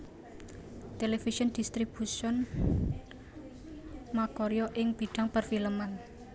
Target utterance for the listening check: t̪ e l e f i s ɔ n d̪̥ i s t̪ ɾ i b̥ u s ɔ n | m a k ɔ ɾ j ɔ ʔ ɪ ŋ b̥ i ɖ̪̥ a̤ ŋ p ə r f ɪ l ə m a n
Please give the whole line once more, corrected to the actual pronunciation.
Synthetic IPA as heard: t̪ e l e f i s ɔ n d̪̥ i s t̪ ɾ i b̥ u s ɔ n | m a k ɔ ɾ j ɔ ʔ ɪ ŋ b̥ i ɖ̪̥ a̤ ŋ p ə r f i l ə m a n